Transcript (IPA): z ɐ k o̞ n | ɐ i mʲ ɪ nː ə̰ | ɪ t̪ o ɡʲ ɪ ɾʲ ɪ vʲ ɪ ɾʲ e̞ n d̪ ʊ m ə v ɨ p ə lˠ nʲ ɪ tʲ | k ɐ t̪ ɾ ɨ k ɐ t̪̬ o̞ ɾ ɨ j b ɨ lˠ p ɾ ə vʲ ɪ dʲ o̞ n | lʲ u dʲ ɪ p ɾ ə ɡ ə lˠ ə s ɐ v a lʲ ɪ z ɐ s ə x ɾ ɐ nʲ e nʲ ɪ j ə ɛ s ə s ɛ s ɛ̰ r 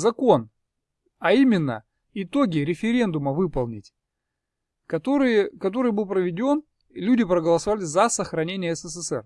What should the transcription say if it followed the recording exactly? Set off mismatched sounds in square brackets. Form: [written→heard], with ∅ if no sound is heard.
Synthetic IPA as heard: z ɐ k o̞ n | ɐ i mʲ ɪ nː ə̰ | ɪ t̪ o ɡʲ ɪ ɾʲ ɪ [vʲ→fʲ] ɪ ɾʲ e̞ n d̪ ʊ m ə v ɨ p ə lˠ nʲ ɪ tʲ | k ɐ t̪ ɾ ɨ k ɐ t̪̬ o̞ ɾ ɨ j b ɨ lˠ p ɾ ə vʲ ɪ dʲ o̞ n | lʲ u dʲ ɪ p ɾ ə ɡ ə lˠ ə s ɐ v a lʲ ɪ z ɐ s ə x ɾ ɐ nʲ e nʲ ɪ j ə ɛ s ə s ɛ s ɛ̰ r